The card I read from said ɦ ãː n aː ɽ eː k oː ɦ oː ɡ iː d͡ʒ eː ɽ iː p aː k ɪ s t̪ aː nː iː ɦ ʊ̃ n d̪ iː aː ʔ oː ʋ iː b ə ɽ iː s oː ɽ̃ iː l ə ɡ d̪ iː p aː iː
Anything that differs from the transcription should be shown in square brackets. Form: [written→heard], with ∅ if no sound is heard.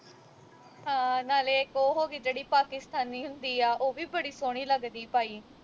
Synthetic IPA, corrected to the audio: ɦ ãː n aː [ɽ→l] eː k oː ɦ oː ɡ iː d͡ʒ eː ɽ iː p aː k ɪ s t̪ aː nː iː ɦ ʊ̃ n d̪ iː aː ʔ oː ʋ iː b ə ɽ iː s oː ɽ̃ iː l ə ɡ d̪ iː p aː iː